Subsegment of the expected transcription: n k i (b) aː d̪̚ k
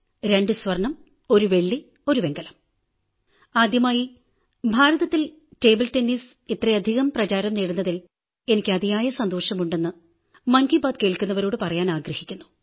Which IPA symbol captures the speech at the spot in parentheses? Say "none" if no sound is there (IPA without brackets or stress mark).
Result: b